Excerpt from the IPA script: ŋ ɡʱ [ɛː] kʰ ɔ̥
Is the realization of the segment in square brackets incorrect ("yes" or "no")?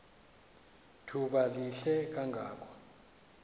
yes